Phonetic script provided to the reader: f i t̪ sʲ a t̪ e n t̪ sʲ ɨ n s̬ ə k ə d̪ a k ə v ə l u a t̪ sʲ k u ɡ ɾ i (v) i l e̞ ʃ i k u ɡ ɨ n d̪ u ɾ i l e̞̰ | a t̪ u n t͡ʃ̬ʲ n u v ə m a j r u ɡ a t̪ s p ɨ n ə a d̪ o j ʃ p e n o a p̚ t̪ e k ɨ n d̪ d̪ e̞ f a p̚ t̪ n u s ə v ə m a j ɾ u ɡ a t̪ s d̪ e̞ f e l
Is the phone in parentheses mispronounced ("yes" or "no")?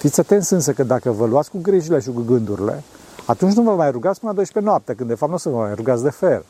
yes